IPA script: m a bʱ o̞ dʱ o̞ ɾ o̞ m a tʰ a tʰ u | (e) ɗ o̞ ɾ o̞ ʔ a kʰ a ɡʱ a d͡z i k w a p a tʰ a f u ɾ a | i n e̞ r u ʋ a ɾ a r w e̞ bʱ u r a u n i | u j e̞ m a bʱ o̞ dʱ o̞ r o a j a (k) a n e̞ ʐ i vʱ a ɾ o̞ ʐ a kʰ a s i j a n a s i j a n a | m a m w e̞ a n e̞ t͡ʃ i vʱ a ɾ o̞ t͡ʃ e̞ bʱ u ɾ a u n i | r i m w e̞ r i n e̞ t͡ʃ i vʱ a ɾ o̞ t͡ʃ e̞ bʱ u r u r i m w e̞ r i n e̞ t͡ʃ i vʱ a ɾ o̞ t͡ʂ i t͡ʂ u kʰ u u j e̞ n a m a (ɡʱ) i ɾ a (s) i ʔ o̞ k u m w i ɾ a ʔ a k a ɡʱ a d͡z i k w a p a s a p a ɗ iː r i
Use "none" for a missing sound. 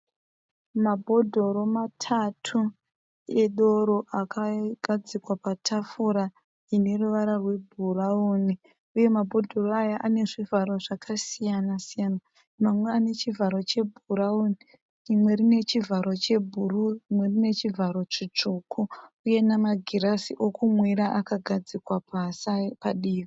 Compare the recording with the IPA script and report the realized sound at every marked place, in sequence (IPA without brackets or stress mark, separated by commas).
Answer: e, ʔ, ɡʱ, s